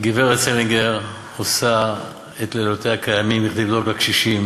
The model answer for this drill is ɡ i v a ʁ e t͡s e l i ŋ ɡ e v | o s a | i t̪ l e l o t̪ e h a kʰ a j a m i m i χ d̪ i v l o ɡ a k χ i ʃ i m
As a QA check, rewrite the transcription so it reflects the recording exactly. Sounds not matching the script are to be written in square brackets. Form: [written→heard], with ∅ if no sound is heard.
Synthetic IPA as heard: ɡ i v [a→e] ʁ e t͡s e l i ŋ ɡ e [v→ʁ] | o s a | [i→e] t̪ l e l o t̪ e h a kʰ a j a m i m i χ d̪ i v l o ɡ a k [χ→ʃ] i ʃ i m